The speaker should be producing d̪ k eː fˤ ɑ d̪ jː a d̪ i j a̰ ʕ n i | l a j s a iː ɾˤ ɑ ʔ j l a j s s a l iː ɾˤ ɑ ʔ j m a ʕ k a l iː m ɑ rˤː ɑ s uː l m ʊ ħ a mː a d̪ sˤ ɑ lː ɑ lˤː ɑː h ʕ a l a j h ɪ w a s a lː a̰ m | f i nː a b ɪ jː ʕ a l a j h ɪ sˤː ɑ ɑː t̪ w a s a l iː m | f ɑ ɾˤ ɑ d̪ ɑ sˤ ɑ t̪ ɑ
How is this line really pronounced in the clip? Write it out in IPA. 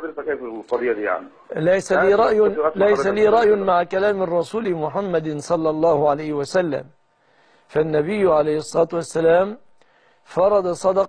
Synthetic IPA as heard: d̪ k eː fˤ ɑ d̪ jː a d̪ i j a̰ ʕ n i | l a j s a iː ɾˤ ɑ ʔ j l a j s s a l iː ɾˤ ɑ ʔ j m a ʕ k a l aː m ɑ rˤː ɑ s uː l m ʊ ħ a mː a d̪ sˤ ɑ lː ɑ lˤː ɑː h ʕ a l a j h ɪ w a s a lː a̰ m | f a nː a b ɪ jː ʕ a l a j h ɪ sˤː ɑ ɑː t̪ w a sː a l aː m | f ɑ ɾˤ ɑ d̪ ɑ sˤ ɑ d̪ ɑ